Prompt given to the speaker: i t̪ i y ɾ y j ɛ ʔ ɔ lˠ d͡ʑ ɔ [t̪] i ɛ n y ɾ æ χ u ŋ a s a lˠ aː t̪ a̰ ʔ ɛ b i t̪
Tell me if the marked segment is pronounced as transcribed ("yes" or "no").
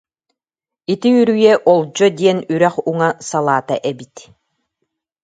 no